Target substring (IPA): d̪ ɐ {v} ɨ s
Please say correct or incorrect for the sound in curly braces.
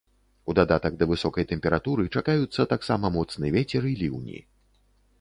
correct